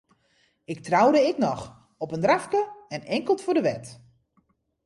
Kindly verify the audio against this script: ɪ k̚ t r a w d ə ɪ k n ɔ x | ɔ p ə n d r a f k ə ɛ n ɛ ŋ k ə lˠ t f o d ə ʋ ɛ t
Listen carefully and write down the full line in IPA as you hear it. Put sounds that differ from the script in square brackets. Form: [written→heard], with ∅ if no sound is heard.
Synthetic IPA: ɪ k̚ t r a w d ə ɪ k n ɔ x | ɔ p ə n d r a f k ə ɛ n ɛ ŋ k ə lˠ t f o d ə ʋ ɛ t